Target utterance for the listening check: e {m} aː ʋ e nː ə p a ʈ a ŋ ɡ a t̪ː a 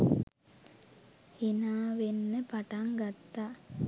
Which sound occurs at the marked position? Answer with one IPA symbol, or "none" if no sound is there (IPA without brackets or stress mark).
n